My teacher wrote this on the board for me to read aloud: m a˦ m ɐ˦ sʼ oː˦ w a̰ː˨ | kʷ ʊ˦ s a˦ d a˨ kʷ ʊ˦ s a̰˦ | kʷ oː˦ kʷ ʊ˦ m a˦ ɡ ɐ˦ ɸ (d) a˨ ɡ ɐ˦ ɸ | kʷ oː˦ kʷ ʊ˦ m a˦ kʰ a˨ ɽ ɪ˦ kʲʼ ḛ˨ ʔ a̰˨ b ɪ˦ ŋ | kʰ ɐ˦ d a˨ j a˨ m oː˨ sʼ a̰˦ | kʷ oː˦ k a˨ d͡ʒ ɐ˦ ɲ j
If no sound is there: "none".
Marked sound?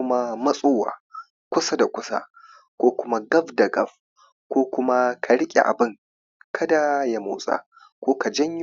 d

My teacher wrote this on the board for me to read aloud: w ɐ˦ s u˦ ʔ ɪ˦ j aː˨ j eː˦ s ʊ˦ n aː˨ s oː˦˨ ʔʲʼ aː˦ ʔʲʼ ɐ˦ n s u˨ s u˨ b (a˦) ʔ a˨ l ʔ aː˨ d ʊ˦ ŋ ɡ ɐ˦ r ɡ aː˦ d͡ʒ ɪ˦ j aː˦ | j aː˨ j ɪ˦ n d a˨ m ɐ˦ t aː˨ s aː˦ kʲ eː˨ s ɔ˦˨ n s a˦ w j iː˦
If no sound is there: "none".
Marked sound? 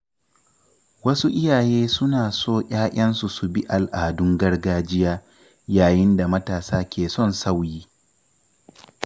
i˦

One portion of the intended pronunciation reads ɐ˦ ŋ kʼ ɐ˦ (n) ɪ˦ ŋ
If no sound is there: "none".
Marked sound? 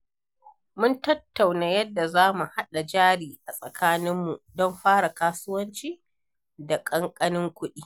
n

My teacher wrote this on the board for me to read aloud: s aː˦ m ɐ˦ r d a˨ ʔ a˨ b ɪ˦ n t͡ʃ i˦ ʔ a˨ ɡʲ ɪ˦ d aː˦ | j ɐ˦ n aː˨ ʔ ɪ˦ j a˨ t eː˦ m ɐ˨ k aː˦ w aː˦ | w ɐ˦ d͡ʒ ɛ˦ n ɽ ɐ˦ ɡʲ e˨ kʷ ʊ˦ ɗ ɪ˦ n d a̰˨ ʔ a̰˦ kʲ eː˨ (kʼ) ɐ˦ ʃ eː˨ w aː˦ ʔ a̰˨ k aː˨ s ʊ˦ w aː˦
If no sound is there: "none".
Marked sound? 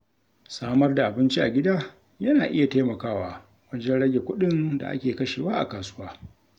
k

